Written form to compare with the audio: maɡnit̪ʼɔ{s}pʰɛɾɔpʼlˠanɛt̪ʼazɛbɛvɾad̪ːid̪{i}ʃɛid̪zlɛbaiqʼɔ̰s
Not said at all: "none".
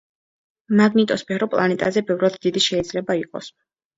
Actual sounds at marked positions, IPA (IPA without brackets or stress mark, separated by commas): s, i